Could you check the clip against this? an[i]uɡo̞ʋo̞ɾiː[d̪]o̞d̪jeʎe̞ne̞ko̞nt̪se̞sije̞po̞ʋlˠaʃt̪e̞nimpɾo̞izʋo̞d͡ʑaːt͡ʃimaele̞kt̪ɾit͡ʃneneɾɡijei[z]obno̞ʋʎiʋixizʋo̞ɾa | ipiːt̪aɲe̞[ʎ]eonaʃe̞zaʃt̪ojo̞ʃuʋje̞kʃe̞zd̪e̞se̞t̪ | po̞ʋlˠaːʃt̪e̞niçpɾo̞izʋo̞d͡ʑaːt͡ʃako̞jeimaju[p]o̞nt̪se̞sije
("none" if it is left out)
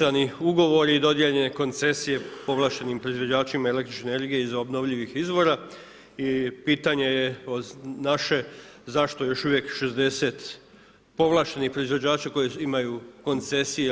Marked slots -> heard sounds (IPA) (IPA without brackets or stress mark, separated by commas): i, d̪, z, j, k